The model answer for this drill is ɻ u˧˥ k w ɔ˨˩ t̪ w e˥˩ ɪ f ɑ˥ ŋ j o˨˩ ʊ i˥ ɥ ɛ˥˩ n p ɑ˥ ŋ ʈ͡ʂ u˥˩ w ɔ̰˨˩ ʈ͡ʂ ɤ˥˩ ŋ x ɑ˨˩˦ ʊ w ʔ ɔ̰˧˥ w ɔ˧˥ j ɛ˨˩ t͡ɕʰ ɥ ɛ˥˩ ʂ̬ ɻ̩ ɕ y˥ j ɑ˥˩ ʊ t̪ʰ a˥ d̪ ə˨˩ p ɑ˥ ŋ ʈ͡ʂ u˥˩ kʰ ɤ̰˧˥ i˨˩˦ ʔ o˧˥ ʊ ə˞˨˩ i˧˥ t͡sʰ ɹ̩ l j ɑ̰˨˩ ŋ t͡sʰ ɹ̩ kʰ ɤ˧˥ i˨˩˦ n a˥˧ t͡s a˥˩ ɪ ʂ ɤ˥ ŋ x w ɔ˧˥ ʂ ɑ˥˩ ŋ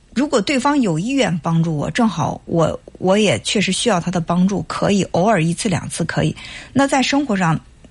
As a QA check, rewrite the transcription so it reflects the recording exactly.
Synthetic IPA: ɻ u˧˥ k w ɔ˨˩ t̪ w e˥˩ ɪ f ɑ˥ ŋ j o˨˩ ʊ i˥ ɥ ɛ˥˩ n p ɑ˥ ŋ ʈ͡ʂ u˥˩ w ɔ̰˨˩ ʈ͡ʂ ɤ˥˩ ŋ x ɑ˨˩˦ ʊ w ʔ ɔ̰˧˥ w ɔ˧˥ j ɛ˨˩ t͡ɕʰ ɥ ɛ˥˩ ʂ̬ ɻ̩ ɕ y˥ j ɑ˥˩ ʊ t̪ʰ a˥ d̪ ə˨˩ p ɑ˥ ŋ ʈ͡ʂ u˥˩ kʰ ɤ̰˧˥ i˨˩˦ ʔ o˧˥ ʊ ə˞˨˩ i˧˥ t͡sʰ ɹ̩ l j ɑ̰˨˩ ŋ t͡sʰ ɹ̩ kʰ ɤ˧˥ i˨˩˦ n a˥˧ t͡s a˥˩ ɪ ʂ ɤ˥ ŋ x w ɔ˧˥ ʂ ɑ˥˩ ŋ